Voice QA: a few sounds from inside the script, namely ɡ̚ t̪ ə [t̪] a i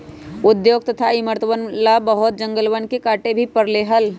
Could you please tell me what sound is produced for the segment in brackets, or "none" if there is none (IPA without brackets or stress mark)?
t̪ʰ